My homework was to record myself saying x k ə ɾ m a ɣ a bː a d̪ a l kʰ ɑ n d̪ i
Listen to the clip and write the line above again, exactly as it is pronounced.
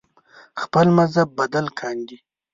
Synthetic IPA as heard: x p ə l m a z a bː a d̪ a l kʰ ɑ n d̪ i